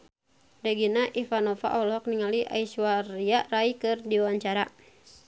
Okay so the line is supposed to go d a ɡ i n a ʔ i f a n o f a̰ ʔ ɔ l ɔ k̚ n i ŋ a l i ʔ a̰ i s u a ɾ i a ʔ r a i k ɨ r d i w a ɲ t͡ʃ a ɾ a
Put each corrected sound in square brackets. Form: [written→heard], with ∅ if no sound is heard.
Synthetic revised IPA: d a ɡ i n a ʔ i f a n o f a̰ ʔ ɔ l ɔ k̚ n i ŋ a l i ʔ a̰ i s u a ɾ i a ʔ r a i k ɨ r d i w a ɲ t͡ʃ a ɾ a